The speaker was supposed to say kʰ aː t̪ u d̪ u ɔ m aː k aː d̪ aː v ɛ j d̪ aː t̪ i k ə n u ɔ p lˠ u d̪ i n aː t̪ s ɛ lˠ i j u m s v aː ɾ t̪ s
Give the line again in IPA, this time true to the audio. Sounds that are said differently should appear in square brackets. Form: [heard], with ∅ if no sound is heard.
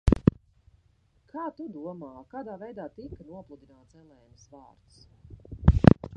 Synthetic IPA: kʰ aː t̪ u d̪ u ɔ m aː k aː d̪ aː v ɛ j d̪ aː t̪ i k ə n u ɔ p lˠ u d̪ i n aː t̪ s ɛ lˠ [ɛ] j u m s v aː ɾ t̪ s